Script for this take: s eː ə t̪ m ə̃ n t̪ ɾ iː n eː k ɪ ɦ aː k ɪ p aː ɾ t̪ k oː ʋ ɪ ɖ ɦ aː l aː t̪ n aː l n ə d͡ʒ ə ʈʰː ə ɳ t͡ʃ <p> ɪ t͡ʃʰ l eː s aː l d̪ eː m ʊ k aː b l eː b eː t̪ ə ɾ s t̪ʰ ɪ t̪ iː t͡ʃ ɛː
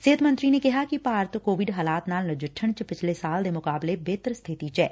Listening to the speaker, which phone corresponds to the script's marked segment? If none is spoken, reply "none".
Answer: p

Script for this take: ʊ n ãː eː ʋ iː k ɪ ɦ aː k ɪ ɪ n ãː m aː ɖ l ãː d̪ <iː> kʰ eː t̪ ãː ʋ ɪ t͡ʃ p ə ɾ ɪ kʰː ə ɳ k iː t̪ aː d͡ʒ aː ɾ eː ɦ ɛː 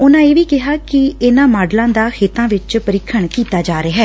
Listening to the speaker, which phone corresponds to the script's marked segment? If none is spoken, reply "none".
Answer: aː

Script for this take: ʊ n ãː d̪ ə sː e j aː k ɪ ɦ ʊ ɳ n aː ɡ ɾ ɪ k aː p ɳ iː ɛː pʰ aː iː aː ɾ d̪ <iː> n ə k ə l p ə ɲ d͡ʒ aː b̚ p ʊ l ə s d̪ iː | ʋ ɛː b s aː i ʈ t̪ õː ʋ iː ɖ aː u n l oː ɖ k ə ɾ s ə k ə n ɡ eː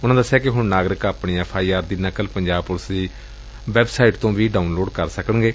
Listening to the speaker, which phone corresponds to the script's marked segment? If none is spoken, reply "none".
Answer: iː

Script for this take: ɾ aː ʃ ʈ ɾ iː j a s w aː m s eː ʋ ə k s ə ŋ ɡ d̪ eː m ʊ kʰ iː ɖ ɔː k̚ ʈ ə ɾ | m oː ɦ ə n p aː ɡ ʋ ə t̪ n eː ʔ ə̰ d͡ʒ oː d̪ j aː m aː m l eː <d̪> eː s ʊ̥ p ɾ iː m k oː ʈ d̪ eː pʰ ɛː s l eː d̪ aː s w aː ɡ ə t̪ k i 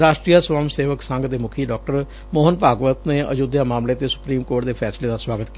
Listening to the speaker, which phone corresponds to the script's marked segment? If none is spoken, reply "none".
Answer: t̪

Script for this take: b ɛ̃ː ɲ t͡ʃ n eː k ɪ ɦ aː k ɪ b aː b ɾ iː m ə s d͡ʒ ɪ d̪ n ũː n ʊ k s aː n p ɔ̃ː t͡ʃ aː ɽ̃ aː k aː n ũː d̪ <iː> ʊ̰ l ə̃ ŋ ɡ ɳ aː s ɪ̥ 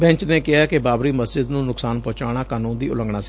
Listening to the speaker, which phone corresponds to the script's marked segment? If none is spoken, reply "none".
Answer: iː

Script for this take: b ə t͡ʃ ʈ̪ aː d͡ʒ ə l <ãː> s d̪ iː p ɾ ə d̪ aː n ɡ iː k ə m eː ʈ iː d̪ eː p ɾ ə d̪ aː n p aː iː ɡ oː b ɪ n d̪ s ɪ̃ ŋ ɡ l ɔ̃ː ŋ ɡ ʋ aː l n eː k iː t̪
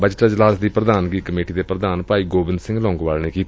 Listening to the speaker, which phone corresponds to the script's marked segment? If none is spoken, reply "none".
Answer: aː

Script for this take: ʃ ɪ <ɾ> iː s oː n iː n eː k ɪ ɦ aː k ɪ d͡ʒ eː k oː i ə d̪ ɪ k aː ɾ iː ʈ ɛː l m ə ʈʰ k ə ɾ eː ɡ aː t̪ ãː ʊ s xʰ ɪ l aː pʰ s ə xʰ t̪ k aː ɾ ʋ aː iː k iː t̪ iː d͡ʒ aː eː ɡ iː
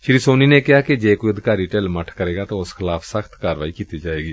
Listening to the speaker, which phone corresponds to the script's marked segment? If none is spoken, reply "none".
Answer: ɾ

